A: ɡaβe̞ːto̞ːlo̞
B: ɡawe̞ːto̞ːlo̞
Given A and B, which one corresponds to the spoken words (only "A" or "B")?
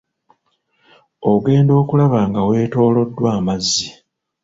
B